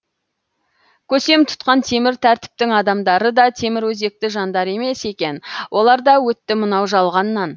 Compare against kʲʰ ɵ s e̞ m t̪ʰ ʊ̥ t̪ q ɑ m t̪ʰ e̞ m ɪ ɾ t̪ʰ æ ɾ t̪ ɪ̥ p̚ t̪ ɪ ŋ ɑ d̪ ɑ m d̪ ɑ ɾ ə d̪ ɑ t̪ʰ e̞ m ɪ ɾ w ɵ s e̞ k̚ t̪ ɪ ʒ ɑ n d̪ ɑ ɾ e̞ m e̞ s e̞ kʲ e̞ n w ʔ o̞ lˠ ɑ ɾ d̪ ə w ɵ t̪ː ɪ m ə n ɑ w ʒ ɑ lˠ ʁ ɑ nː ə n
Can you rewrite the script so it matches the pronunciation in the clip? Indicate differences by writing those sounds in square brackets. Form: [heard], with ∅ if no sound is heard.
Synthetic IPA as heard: kʲʰ ɵ s e̞ m t̪ʰ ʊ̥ t̪ q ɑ [n] t̪ʰ e̞ m ɪ ɾ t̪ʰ æ ɾ t̪ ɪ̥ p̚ t̪ ɪ ŋ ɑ d̪ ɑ m d̪ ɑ ɾ ə d̪ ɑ t̪ʰ e̞ m ɪ ɾ w ɵ [z] e̞ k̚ t̪ ɪ ʒ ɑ n d̪ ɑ ɾ e̞ m e̞ s e̞ kʲ e̞ n w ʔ o̞ lˠ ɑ ɾ d̪ [ɑ] w ɵ t̪ː ɪ m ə n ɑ w ʒ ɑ lˠ ʁ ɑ nː [ɑ] n